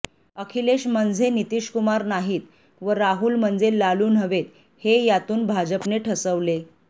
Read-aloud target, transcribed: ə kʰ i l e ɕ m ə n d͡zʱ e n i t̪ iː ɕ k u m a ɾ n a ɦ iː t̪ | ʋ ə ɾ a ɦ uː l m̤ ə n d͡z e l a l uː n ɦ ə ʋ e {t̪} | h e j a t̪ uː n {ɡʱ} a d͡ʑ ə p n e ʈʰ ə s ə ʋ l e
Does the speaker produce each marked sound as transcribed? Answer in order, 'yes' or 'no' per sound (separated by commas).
yes, no